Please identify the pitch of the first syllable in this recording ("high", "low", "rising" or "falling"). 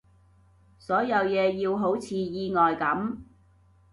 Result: rising